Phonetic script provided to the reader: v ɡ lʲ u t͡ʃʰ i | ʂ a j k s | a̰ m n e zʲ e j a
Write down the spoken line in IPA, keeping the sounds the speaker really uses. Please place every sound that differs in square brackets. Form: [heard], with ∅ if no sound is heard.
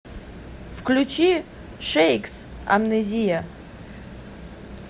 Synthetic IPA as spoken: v [k] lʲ u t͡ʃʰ i | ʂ [e] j k s | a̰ m n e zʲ [i] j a